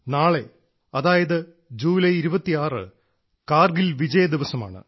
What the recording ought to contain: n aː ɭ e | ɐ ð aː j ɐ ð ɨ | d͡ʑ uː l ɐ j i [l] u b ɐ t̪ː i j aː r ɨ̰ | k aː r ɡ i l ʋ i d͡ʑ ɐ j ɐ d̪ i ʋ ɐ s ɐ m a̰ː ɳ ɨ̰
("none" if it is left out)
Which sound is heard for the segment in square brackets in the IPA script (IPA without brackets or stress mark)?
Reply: ɾ